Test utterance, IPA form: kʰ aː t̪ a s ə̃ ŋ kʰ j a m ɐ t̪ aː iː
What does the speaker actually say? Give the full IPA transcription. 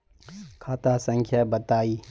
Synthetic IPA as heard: kʰ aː t̪ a s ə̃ ŋ kʰ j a b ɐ t̪ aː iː